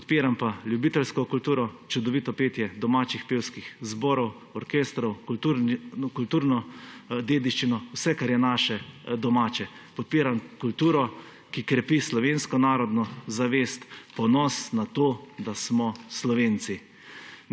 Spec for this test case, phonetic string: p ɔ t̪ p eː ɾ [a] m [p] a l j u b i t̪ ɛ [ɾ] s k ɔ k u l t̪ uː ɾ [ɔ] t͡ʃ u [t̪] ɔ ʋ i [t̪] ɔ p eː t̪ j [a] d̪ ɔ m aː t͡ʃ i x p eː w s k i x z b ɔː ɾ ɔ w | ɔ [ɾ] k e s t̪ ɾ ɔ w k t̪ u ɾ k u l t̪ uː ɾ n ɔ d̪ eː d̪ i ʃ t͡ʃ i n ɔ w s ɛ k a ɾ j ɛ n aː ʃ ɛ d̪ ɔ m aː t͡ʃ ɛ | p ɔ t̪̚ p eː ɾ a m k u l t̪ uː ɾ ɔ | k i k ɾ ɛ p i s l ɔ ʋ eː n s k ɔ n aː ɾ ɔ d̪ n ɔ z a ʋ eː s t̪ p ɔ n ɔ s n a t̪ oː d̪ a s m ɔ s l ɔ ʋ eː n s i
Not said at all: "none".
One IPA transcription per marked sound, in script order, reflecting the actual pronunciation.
a, p, l, ɔ, d̪, t̪, ɛ, ɾ

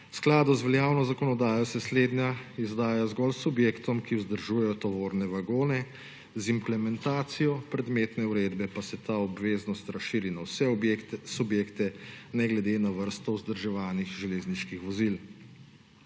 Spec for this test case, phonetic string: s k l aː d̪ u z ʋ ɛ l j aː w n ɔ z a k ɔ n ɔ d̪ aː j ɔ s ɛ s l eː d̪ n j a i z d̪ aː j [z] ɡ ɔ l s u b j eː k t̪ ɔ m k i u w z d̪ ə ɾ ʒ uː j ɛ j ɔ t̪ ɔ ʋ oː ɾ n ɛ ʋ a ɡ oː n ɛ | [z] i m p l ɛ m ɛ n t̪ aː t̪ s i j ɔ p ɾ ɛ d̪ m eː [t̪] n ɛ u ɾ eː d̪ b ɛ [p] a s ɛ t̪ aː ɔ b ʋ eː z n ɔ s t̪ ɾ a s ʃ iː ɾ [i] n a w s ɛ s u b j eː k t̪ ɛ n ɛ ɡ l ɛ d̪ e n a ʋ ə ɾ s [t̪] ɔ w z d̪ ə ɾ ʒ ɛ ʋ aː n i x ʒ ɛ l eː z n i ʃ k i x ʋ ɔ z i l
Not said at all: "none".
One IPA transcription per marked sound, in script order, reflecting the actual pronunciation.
z, z, t̪, p, i, t̪

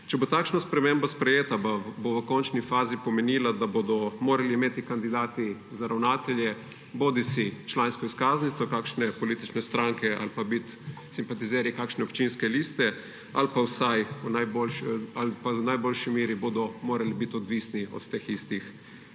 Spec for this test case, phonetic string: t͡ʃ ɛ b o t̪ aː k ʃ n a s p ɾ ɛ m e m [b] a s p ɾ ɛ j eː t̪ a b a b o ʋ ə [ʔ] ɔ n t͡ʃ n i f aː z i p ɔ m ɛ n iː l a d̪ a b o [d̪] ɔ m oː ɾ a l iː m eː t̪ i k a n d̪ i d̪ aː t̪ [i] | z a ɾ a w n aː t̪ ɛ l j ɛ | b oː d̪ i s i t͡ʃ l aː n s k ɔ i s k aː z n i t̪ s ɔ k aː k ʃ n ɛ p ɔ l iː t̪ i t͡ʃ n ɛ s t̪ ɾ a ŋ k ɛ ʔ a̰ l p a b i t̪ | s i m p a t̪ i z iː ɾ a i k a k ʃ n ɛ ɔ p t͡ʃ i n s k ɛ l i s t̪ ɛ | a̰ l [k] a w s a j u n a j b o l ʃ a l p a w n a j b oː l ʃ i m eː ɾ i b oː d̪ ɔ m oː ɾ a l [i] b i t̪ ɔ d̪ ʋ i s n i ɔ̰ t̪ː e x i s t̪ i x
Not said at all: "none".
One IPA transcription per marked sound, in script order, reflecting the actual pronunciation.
b, k, d̪, i, p, i

